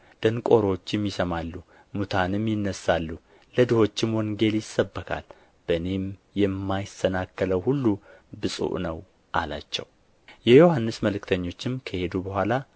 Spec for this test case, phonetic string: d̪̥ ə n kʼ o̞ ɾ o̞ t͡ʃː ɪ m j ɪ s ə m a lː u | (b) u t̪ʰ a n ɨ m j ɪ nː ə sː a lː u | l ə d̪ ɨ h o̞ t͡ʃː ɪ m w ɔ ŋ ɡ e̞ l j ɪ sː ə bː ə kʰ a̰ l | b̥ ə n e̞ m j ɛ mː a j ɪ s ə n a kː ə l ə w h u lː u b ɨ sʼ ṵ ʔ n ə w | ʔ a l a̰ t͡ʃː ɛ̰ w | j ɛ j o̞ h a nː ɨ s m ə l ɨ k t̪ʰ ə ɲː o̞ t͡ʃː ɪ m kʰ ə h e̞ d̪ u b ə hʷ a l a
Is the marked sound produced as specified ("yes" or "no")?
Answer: no